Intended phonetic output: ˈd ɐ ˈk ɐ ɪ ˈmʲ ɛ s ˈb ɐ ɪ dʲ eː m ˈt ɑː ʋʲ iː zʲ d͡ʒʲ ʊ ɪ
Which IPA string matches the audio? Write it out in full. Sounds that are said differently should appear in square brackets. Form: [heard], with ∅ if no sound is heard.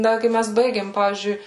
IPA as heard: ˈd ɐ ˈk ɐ ɪ ˈmʲ ɛ s ˈb ɐ ɪ [ɡʲ] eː m [ˈp] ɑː ʋʲ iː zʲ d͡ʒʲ ʊ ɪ